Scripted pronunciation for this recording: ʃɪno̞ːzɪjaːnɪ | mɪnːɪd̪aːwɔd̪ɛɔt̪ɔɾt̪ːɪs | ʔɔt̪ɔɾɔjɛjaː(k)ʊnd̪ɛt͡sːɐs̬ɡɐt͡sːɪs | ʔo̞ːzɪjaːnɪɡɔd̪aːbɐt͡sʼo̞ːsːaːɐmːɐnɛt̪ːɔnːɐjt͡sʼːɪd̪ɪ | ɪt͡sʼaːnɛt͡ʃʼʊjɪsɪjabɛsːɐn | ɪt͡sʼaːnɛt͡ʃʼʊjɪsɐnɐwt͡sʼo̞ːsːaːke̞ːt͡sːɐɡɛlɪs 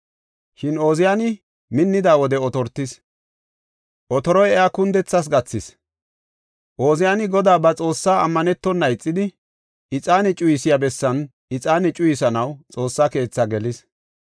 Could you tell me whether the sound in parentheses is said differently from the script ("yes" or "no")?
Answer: no